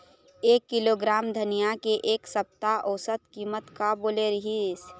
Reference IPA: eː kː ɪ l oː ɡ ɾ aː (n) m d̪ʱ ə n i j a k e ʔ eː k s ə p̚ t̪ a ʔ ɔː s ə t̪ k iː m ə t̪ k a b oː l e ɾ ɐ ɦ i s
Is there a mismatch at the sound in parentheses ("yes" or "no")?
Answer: yes